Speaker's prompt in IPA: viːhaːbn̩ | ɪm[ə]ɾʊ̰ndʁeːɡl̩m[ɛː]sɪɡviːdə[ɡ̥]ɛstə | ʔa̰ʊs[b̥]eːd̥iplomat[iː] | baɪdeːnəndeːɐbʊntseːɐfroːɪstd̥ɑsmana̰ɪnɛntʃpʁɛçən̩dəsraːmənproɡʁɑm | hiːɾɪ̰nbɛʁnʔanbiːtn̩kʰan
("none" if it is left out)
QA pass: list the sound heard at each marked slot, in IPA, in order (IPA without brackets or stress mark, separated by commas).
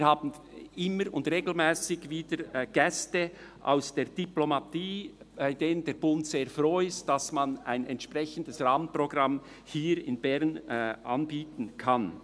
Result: ə, ɛː, ɡ̥, d̥, iː